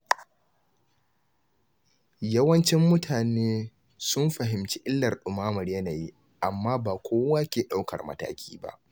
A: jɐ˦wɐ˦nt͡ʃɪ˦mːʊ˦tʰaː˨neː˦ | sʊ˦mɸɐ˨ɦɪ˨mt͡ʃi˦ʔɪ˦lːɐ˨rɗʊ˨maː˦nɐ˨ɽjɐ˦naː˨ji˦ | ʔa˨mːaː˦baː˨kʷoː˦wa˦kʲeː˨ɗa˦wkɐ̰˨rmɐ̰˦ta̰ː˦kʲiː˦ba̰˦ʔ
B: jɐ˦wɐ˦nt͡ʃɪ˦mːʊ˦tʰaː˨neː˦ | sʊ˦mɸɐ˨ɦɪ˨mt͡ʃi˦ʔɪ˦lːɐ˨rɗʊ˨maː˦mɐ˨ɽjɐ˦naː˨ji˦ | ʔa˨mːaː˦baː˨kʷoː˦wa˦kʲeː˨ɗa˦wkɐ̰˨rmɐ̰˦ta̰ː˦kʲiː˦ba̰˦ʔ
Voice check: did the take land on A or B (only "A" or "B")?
B